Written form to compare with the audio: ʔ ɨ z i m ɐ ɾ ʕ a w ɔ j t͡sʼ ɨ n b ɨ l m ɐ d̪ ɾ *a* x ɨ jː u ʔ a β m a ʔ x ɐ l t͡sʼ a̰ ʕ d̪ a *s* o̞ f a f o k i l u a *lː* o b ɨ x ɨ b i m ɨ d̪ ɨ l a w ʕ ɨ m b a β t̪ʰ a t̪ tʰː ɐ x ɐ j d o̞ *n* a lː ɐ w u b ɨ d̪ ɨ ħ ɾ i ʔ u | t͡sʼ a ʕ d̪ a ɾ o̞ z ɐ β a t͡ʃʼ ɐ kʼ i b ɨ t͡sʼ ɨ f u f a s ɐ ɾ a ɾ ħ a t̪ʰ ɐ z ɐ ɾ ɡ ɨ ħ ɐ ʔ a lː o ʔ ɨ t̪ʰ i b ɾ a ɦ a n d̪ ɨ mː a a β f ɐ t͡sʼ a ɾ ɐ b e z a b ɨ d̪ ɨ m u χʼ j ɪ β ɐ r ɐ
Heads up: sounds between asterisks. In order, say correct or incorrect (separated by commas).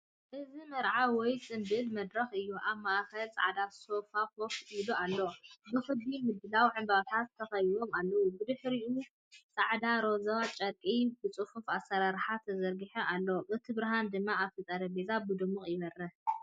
incorrect, correct, correct, incorrect